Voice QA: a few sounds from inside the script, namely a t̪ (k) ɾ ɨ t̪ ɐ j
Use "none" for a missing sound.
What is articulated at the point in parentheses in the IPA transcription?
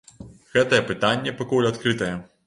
k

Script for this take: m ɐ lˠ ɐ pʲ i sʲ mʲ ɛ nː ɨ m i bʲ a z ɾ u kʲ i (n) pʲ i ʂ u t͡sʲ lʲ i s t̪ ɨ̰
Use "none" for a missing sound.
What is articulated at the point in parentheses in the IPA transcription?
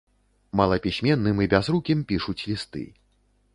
m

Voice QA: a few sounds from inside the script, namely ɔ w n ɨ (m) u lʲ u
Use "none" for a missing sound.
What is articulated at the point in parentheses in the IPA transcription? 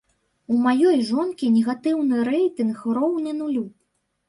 n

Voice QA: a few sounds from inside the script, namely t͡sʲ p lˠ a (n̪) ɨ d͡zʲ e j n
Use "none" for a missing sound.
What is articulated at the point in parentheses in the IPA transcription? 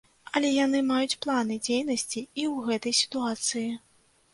n̪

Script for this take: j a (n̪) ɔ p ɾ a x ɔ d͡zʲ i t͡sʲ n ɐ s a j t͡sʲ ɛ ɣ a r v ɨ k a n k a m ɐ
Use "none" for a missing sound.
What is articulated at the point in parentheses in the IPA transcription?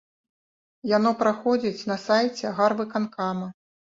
n̪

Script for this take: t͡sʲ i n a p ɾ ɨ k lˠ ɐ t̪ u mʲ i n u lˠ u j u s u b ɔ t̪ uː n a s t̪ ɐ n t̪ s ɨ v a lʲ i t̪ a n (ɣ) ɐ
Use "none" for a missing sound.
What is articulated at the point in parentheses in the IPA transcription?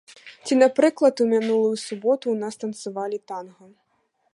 ɣ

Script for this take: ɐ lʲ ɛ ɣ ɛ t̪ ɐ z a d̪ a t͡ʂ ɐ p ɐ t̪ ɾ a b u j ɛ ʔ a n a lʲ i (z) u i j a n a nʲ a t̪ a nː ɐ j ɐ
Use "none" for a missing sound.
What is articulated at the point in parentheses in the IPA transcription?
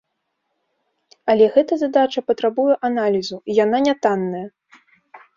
z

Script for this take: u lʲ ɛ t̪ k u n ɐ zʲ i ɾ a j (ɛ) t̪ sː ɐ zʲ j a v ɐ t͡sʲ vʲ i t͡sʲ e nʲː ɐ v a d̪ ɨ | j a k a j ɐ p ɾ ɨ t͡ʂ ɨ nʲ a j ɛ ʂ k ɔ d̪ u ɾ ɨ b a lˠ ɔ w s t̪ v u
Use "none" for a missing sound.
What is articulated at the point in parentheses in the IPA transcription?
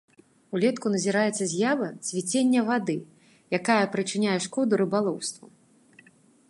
ɛ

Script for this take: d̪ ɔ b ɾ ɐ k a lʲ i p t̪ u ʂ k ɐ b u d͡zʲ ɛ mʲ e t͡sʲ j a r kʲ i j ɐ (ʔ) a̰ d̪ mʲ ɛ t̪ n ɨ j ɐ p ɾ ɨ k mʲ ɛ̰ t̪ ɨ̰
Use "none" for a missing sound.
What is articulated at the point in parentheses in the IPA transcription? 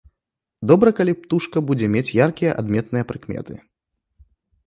ʔ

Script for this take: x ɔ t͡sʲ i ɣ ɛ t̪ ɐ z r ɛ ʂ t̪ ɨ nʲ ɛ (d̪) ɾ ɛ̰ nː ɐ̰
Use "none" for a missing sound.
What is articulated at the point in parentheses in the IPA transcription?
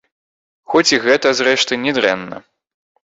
d̪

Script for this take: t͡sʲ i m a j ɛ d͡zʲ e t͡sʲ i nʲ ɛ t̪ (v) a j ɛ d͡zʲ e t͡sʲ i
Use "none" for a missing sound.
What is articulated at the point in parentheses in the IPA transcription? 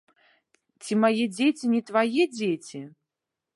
v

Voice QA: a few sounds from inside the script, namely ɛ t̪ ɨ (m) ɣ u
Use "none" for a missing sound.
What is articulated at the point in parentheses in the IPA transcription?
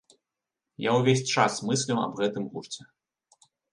m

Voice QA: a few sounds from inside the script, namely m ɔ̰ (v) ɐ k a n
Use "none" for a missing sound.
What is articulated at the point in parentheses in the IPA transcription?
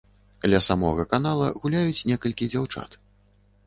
ɣ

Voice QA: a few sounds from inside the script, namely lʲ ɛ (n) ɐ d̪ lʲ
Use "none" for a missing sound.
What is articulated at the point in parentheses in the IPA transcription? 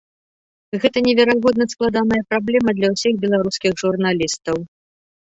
m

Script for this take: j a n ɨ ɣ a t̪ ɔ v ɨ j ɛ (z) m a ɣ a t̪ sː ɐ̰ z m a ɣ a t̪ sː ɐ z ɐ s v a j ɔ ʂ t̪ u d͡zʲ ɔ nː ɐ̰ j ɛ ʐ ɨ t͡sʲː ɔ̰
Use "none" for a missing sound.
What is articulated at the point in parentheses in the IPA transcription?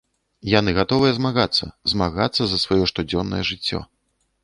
z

